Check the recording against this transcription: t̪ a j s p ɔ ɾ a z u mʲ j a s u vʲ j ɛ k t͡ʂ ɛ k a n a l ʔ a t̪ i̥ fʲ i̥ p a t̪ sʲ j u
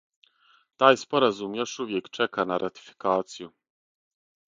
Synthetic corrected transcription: t̪ a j s p ɔ ɾ a z u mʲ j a ʂ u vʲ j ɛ k t͡ʂ ɛ k a n a ɾ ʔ a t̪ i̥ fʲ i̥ k a t̪ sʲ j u